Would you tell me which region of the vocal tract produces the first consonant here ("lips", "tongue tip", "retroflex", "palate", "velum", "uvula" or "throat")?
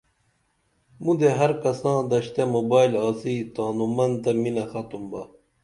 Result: lips